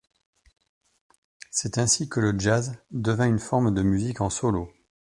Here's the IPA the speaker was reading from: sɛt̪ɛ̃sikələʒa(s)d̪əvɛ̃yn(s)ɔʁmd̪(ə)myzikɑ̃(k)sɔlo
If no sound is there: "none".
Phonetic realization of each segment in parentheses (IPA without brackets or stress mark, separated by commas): z, f, ə, none